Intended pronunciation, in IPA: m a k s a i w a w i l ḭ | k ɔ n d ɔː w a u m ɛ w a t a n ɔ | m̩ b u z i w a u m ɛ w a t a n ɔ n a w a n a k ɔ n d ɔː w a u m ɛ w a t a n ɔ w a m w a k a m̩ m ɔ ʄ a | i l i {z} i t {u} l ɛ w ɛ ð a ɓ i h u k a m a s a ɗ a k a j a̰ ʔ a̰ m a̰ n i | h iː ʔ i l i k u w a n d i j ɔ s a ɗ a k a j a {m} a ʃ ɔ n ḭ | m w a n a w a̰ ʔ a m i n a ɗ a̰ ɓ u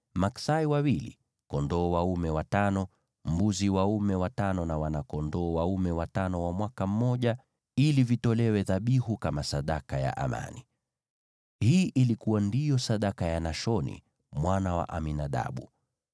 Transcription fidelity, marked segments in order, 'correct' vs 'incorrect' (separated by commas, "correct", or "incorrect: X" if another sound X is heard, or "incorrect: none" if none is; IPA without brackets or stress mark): incorrect: v, incorrect: ɔ, incorrect: n